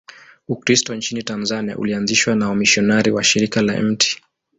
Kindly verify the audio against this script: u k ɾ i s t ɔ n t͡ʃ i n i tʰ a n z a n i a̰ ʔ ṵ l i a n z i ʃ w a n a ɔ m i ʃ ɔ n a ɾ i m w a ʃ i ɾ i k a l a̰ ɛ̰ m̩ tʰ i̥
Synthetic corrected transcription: u k ɾ i s t ɔ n t͡ʃ i n i t a n z a n i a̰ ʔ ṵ l i a n z i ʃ w a n a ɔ m i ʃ ɔ n a ɾ i w a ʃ i ɾ i k a l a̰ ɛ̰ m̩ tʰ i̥